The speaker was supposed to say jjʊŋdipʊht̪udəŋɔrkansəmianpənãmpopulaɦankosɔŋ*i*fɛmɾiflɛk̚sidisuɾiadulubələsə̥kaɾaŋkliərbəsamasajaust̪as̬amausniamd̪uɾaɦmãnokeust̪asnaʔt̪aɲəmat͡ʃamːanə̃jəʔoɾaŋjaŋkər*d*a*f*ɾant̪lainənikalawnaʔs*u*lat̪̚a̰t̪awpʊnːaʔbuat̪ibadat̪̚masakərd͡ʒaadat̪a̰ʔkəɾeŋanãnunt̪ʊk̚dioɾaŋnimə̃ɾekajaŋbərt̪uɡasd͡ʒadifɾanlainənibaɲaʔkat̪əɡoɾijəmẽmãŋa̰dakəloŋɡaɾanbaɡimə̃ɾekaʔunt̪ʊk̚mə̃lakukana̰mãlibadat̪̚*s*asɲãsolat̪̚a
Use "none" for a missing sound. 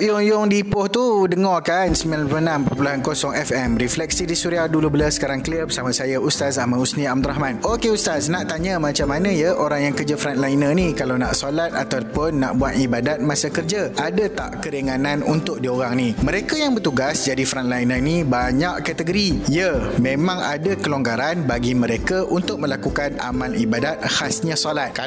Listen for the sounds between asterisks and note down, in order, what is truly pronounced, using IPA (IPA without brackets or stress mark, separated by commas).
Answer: ɛ, d͡ʒ, f, o, h